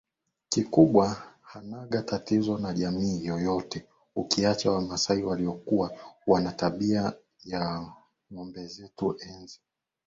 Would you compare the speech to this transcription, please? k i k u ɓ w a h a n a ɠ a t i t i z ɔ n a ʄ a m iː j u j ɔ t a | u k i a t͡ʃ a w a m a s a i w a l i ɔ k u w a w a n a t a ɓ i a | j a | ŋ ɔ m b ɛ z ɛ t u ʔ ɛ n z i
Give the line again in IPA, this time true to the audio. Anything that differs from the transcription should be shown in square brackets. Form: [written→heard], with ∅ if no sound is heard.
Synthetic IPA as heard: k i k u ɓ w a h a n a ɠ a t [i→a] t i z ɔ n a ʄ a m iː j [u→ɔ] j ɔ t [a→ɛ] | u k i a t͡ʃ a w a m a s a i w a l i ɔ k u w a w a n a t a ɓ i a | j a | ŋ ɔ m b ɛ z ɛ t u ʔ ɛ n z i